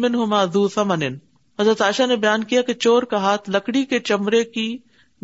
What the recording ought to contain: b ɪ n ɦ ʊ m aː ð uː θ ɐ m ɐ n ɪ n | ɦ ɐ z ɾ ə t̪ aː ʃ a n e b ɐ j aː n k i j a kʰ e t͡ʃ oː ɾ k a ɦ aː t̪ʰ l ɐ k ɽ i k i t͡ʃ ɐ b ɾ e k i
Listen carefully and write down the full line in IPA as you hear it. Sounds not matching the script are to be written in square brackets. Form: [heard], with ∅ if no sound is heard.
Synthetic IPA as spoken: [m] ɪ n ɦ ʊ m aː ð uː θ ɐ m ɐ n ɪ n | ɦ ɐ z ɾ ə t̪ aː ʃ a n e b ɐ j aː n k i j a [k] e t͡ʃ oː ɾ k a ɦ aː t̪ʰ l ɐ k ɽ i k [e] t͡ʃ ɐ [m] ɾ e k i